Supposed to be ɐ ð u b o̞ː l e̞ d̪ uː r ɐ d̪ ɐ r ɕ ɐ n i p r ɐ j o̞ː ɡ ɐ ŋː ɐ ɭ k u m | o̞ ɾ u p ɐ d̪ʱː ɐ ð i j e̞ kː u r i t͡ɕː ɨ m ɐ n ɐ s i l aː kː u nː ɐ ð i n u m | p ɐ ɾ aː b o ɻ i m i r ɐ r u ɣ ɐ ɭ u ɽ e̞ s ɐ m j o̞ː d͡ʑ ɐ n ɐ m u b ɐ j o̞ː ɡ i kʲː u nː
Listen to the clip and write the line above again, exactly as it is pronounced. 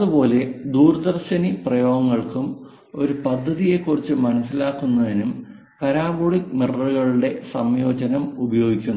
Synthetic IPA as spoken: ɐ ð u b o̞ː l e̞ d̪ uː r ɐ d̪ ɐ r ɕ ɐ n i p r ɐ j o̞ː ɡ ɐ ŋː ɐ ɭ k u m | o̞ ɾ u p ɐ d̪ʱː ɐ ð i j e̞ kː u r i t͡ɕː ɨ m ɐ n ɐ s i l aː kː u nː ɐ ð i n u m | p ɐ ɾ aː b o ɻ i m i r ɐ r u ɣ ɐ ɭ u ɽ e̞ s ɐ m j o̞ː d͡ʑ ɐ n ɐ m u b ɐ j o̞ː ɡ i kʲː u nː

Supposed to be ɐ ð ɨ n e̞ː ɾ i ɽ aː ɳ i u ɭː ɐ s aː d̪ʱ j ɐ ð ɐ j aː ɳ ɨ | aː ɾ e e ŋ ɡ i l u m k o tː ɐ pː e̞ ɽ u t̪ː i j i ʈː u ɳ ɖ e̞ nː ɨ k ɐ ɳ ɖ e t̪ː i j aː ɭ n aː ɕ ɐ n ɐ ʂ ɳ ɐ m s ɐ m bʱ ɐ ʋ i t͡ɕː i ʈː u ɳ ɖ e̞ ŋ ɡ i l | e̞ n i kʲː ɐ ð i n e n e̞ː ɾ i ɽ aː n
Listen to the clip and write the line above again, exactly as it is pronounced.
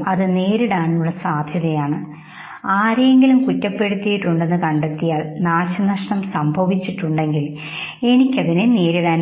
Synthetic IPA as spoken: ɐ ð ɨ n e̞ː ɾ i ɽ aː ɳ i u ɭː ɐ s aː d̪ʱ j ɐ ð ɐ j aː ɳ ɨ | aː ɾ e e ŋ ɡ i l u m k u tː ɐ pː e̞ ɽ u t̪ː i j i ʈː u ɳ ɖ e̞ nː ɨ k ɐ ɳ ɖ e t̪ː i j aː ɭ n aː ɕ ɐ n ɐ ʂ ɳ ɐ m s ɐ m bʱ ɐ ʋ i t͡ɕː i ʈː u ɳ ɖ e̞ ŋ ɡ i l | e̞ n i kʲː ɐ ð i n e n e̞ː ɾ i ɽ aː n

